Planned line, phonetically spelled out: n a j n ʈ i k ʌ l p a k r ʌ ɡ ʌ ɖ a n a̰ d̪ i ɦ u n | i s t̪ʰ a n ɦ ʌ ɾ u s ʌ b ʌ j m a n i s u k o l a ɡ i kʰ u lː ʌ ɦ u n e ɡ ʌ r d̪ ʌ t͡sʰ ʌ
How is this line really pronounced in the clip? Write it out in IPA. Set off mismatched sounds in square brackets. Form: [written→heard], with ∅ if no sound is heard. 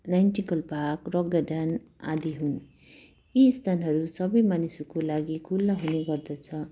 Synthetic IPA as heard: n a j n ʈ i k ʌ l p a k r ʌ ɡ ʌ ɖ a n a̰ d̪ i ɦ u n | i s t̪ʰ a n ɦ ʌ ɾ u s ʌ b ʌ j m a n i s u k o l a ɡ i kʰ u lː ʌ ɦ u n e ɡ ʌ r d̪ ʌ t͡sʰ ʌ